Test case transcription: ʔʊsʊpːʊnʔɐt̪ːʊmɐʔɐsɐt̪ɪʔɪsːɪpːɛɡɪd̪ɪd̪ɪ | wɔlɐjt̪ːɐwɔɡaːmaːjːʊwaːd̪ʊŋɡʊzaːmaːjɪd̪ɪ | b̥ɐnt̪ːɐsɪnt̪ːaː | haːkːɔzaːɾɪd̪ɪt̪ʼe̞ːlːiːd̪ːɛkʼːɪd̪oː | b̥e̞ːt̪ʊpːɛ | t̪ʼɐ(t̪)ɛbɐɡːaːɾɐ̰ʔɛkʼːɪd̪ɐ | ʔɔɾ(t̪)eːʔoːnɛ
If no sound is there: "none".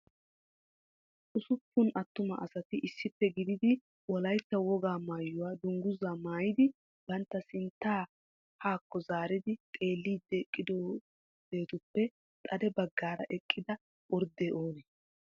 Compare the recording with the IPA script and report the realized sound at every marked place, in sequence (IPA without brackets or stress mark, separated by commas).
d̪, d̪